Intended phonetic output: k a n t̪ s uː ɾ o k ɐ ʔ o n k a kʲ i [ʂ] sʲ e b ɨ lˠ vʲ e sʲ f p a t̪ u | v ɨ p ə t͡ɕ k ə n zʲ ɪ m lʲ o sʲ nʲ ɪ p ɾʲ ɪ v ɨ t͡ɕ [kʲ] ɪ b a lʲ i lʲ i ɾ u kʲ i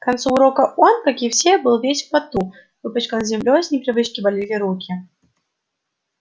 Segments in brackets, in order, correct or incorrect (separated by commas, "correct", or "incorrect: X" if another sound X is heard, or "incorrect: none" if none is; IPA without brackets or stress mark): incorrect: f, correct